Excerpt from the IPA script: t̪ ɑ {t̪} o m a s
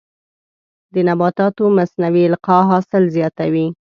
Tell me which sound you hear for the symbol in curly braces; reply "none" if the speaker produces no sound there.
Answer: t̪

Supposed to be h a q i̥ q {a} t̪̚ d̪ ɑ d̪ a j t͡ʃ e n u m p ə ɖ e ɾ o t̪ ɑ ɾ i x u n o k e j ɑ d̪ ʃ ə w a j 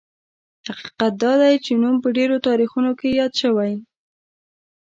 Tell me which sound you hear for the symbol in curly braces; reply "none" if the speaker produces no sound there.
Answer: a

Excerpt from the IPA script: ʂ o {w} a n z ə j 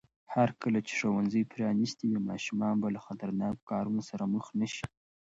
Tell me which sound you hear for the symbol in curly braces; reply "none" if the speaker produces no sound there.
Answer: w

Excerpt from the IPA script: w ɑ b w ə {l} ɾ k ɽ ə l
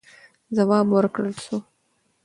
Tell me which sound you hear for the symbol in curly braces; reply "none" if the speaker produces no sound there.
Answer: none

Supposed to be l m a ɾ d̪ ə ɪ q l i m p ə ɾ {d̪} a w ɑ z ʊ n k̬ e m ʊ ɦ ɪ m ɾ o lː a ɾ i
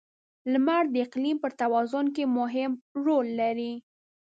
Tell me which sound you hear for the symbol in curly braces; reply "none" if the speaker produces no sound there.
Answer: t̪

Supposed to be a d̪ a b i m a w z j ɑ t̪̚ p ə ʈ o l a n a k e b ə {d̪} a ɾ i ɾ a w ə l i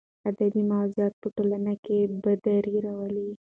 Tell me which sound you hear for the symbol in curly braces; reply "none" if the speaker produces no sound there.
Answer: d̪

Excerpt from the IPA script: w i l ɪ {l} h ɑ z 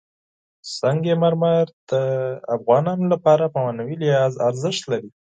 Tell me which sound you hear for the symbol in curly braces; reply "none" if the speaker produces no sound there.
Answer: none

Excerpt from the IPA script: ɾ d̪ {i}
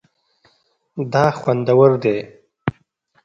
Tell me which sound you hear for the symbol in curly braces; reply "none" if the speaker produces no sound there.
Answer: e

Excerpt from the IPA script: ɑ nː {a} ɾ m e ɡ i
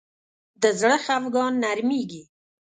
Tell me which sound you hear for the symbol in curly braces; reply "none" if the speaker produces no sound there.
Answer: a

